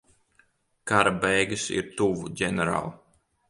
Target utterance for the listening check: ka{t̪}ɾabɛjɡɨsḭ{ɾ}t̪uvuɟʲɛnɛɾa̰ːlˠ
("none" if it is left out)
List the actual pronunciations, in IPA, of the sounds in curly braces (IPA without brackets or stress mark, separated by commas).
none, ɾ